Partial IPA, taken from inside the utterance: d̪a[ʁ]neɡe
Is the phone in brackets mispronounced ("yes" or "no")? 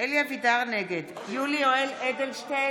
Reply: no